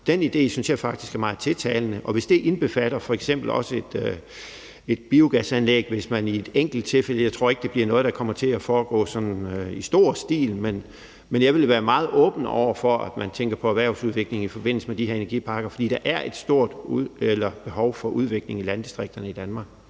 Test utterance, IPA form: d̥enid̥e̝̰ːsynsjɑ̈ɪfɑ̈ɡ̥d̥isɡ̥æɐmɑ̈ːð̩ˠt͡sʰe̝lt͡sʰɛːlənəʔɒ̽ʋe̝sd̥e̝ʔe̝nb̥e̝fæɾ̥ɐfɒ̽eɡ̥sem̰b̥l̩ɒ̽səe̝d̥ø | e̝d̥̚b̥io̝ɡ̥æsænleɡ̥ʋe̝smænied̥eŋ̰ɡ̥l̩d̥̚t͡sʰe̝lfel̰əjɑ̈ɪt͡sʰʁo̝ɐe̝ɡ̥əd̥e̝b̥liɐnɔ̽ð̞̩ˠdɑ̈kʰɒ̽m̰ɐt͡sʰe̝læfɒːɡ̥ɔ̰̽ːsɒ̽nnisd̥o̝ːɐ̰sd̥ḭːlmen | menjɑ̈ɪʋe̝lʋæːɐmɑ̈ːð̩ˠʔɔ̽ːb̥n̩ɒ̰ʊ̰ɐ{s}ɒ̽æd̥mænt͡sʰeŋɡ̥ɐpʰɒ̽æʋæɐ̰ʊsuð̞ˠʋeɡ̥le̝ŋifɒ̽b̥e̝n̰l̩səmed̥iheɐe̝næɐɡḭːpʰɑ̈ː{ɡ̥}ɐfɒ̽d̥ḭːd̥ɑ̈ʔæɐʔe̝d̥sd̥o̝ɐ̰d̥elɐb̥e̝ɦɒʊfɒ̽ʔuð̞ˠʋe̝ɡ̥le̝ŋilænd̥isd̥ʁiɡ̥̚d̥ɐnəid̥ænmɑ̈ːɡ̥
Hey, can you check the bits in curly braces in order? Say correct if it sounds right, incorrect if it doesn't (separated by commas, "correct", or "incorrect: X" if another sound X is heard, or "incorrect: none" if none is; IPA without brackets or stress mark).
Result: incorrect: f, correct